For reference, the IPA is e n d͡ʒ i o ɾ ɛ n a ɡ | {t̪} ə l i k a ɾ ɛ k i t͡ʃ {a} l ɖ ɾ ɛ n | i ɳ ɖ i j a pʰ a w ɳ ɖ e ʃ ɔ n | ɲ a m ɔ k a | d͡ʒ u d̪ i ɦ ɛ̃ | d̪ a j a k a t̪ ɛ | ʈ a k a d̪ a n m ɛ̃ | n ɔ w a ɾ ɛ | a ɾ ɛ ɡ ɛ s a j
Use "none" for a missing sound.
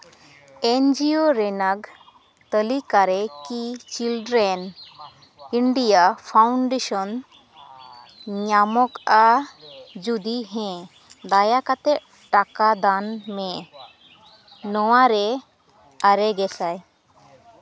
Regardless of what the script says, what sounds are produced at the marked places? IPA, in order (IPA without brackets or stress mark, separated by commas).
t̪, i